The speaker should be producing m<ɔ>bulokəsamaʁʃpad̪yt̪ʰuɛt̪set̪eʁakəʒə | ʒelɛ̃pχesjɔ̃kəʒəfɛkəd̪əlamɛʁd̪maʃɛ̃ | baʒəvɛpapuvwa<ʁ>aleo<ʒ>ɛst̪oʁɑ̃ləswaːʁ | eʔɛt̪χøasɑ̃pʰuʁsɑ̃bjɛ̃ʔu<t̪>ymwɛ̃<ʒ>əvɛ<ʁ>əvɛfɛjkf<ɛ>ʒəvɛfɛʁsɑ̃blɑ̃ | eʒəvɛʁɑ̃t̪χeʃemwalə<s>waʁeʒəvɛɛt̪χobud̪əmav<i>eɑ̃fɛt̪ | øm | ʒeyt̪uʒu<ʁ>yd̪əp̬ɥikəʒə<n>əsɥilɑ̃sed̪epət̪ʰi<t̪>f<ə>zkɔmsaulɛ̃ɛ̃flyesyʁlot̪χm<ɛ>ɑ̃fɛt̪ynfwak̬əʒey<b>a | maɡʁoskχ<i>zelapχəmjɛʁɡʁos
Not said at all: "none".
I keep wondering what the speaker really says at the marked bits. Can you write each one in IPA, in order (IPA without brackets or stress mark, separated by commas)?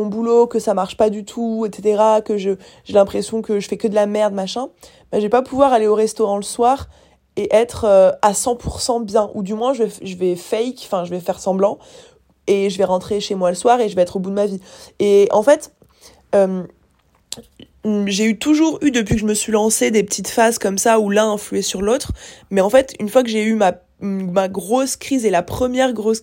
ɔ̃, ʁ, ʁ, d̪, ʒ, ʒ, ɛ̃, s, i, ʁ, m, t̪, a, ɛ, m, i